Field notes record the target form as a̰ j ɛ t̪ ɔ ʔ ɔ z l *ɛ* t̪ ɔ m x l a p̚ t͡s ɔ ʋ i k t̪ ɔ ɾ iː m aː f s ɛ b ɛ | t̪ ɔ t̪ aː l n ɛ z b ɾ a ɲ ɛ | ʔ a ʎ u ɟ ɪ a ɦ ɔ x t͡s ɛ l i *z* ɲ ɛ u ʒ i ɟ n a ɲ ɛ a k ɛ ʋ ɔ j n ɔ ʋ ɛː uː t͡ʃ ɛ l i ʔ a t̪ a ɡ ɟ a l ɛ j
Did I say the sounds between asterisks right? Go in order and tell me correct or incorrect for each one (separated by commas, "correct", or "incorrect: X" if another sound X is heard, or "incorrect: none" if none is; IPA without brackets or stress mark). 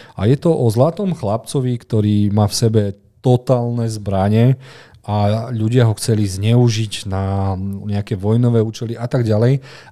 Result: incorrect: a, correct